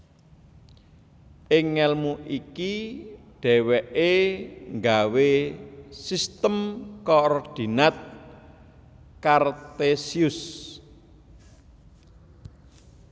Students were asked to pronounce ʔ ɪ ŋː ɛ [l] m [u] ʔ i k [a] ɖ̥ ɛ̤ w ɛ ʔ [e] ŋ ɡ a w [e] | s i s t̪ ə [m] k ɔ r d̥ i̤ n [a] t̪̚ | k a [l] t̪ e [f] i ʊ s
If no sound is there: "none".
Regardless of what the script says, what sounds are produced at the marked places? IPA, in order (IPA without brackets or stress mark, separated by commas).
l, u, i, e, e, m, a, r, s